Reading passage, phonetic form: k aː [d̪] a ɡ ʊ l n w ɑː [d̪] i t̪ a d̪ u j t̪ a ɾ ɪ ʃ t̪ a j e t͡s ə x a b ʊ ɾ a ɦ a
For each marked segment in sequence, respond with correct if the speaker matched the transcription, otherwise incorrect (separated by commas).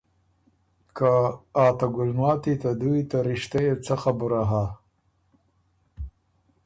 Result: incorrect, incorrect